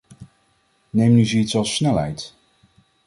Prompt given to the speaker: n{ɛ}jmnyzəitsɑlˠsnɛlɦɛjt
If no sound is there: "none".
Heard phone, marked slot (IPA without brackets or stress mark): e